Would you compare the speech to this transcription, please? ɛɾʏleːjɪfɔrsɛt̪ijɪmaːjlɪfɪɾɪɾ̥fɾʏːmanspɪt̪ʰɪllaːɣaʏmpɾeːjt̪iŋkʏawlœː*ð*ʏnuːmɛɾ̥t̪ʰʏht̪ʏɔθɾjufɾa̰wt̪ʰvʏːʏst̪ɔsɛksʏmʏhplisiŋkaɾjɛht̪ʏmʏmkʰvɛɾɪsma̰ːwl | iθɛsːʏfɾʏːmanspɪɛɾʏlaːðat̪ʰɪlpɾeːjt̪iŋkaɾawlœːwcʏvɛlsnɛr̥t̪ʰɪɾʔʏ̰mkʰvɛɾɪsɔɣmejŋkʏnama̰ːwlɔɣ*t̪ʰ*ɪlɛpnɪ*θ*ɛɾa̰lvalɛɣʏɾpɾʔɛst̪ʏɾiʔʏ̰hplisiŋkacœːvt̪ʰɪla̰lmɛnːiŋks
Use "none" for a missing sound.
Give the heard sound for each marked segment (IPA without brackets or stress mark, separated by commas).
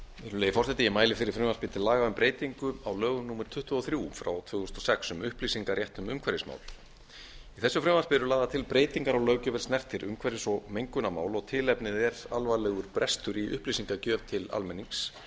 ɣ, t̪ʰ, ð